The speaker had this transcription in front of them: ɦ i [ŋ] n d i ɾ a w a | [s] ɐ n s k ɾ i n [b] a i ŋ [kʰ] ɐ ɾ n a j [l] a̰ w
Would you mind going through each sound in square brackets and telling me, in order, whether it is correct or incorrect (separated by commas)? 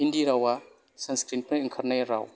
incorrect, correct, incorrect, correct, incorrect